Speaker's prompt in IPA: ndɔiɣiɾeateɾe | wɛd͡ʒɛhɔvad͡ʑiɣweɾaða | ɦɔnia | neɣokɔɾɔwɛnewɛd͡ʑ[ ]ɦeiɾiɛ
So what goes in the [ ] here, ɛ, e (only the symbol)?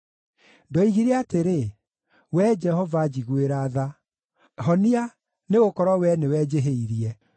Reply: e